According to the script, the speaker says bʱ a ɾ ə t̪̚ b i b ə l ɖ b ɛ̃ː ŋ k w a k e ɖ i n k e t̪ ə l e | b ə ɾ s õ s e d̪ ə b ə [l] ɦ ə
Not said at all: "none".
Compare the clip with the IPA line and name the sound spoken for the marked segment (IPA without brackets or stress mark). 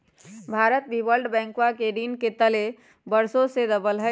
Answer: l